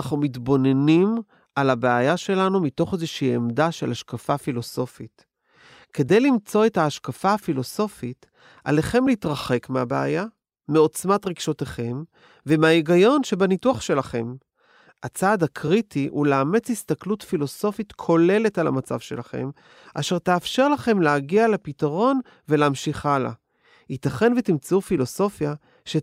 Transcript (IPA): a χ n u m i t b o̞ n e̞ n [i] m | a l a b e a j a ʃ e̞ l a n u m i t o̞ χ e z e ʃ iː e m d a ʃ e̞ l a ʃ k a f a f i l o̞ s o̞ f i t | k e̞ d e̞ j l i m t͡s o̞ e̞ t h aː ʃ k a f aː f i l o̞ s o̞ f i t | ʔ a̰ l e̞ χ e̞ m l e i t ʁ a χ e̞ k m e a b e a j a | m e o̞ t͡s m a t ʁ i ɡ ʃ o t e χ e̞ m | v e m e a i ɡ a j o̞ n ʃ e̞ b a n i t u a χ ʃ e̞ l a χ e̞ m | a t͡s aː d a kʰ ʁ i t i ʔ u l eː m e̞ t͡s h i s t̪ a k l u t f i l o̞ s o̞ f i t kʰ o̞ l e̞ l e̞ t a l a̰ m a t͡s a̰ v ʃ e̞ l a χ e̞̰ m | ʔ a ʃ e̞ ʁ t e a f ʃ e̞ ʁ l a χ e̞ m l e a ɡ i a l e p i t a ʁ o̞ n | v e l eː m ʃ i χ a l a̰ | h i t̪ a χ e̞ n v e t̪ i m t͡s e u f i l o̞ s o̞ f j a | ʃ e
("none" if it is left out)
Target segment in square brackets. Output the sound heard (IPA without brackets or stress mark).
i